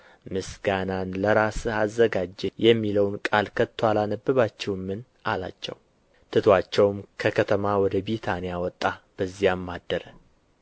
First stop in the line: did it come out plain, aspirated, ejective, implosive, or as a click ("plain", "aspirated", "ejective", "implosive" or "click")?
plain